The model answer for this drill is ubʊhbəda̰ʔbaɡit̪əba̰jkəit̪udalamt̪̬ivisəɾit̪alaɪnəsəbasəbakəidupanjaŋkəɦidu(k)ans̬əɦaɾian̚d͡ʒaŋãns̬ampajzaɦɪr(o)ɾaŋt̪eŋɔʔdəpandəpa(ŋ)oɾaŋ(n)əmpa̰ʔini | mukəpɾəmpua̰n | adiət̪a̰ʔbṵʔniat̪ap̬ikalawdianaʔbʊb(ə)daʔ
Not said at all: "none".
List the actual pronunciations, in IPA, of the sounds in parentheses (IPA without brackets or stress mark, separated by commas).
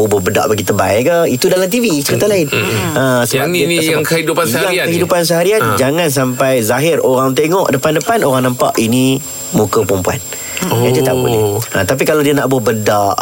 p, o, n, n, ə